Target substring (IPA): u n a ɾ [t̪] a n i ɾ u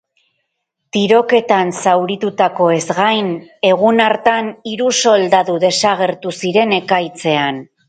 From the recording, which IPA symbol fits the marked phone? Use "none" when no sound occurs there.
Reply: t̪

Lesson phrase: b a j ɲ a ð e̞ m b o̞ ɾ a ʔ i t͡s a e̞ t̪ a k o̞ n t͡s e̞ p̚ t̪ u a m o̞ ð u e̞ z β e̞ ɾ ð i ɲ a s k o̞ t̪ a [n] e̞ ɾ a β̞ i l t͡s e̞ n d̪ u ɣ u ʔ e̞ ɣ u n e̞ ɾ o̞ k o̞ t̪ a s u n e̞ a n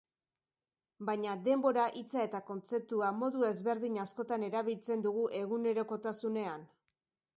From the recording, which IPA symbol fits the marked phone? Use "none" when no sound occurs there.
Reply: n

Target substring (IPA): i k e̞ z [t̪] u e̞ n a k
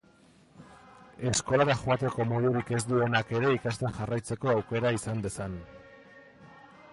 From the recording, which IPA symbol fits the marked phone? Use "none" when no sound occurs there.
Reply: d̪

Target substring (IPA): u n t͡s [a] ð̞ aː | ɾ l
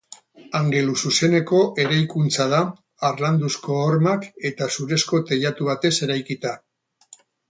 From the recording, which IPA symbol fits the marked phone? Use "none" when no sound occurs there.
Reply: a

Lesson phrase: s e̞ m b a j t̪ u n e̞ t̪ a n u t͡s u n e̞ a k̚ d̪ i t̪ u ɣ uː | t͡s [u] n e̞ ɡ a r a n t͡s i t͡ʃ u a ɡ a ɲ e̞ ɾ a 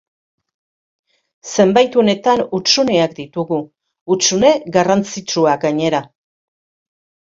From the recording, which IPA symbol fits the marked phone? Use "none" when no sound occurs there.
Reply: u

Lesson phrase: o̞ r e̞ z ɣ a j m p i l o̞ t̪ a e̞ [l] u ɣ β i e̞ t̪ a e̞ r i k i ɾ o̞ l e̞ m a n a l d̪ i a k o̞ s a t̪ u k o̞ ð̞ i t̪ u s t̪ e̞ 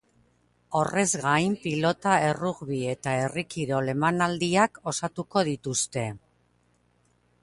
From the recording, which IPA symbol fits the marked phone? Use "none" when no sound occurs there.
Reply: r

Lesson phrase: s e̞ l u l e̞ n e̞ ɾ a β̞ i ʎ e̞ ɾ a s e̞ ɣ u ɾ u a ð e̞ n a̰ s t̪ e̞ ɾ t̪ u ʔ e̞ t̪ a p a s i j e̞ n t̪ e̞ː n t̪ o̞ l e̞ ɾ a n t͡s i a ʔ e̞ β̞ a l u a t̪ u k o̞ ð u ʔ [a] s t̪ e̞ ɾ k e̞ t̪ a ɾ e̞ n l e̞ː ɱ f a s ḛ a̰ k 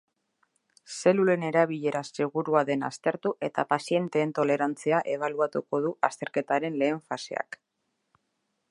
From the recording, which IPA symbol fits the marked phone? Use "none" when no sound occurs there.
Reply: a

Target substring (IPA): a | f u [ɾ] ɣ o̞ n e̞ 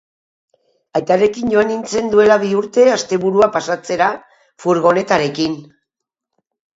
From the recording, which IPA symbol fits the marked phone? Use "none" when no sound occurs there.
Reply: ɾ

